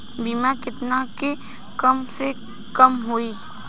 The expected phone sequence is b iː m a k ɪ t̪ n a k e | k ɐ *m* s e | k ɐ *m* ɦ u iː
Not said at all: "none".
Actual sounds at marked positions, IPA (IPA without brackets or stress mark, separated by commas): m, m